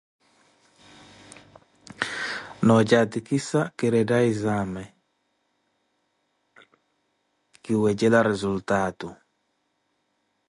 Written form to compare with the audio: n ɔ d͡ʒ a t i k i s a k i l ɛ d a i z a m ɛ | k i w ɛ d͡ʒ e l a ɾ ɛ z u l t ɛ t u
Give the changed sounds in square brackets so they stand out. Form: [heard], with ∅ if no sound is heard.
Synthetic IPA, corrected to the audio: n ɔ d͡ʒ a t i k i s a k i [ɾ] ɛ d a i z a m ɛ | k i w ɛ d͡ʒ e l a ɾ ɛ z u l t [a] t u